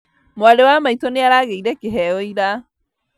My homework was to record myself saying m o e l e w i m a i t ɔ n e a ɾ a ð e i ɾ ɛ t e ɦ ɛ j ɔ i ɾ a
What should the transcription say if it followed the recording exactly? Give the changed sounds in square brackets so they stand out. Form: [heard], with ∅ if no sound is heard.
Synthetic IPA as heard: m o [a] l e w [a] m a i t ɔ n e a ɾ a [ɣ] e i ɾ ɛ [k] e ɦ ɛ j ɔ i ɾ a